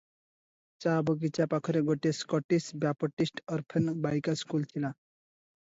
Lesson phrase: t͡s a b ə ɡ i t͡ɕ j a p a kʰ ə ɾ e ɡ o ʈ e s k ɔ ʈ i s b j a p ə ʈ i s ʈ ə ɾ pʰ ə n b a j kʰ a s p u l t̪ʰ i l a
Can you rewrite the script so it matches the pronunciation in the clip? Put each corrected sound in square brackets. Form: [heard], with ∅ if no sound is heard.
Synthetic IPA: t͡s a b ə ɡ i t͡ɕ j a p a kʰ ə ɾ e ɡ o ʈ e s k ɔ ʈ i s b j a p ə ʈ i s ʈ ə ɾ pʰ ə n b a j [k] a s [k] u l t̪ʰ i l a